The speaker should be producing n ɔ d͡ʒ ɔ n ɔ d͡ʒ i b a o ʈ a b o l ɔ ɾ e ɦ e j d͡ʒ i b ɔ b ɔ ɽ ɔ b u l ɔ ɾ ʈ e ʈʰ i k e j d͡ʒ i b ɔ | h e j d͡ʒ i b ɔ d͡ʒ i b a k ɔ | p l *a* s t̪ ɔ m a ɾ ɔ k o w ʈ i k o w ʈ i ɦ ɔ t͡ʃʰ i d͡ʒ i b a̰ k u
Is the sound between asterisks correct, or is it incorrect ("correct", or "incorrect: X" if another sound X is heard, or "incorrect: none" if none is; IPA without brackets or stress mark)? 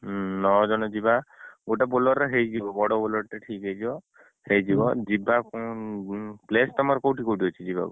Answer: incorrect: e